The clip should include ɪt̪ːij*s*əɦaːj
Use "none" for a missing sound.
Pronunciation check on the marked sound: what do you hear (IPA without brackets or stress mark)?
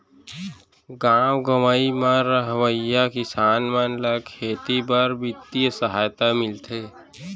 s